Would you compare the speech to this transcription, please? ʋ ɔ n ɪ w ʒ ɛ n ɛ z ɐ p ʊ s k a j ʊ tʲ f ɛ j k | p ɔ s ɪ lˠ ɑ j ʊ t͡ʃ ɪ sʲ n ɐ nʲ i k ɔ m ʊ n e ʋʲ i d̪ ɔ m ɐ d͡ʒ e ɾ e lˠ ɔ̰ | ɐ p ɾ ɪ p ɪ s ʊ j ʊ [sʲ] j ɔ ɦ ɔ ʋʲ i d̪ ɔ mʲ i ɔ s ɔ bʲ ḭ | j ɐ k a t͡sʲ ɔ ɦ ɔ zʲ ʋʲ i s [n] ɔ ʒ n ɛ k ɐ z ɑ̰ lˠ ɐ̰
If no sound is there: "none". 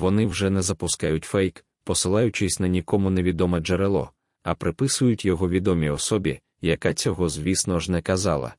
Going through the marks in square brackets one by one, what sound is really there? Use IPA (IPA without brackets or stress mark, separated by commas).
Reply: tʲ, n